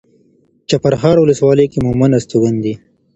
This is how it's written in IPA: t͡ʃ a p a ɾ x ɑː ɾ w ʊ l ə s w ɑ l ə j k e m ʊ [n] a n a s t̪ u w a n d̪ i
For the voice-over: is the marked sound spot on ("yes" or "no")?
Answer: no